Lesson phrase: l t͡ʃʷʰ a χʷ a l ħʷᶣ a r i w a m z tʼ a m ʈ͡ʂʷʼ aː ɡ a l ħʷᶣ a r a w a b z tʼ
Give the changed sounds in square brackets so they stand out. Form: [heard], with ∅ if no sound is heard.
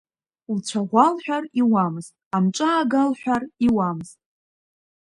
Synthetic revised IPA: l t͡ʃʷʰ a [ʁʷ] a l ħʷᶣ a r i w a m z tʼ a m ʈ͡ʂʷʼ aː ɡ a l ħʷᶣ a r [i] w a [m] z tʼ